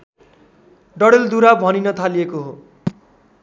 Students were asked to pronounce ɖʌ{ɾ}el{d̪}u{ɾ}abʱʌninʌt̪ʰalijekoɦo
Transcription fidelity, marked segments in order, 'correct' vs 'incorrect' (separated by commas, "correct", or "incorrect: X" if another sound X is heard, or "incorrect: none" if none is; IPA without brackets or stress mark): incorrect: ɽ, correct, correct